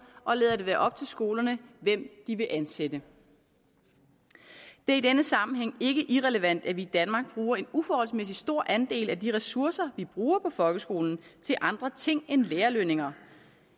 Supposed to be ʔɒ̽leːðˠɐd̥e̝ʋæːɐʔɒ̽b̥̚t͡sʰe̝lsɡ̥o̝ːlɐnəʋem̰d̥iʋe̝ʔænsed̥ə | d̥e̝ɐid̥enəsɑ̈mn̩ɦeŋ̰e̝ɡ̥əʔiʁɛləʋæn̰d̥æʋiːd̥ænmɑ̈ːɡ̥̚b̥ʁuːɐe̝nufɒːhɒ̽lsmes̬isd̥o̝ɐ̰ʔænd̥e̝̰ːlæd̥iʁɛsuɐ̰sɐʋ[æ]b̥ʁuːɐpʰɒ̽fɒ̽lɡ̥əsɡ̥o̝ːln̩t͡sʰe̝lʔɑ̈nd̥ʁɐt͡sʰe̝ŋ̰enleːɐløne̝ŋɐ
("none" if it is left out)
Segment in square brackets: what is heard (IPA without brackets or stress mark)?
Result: i